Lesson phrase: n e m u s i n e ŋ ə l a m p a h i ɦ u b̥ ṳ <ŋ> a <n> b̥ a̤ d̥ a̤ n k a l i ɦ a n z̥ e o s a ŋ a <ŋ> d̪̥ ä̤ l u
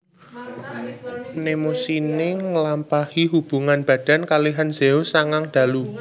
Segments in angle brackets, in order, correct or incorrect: correct, correct, correct

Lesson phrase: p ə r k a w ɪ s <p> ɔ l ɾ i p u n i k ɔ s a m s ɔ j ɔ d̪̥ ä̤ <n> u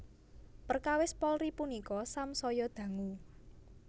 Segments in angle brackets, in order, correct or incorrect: correct, incorrect: ŋ

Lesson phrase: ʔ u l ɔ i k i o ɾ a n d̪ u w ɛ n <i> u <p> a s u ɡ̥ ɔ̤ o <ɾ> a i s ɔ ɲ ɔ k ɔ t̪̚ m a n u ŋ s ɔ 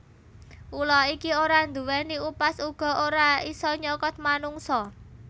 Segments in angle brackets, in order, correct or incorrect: correct, correct, correct

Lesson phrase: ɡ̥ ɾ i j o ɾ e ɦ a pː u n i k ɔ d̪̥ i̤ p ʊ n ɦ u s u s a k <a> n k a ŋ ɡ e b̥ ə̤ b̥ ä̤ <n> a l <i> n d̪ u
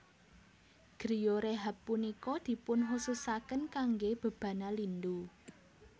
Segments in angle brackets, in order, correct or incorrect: incorrect: ə, correct, correct

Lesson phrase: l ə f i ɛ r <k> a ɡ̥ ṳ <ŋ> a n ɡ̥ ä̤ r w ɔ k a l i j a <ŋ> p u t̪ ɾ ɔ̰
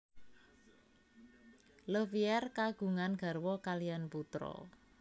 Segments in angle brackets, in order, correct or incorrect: correct, correct, incorrect: n

